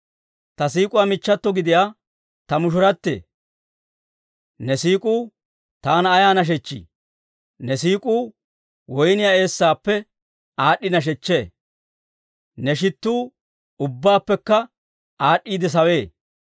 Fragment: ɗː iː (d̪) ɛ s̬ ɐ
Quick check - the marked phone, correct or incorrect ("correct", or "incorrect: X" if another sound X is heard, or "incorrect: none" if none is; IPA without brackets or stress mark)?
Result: correct